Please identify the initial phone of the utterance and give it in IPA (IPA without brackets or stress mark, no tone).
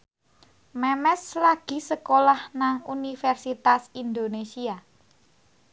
m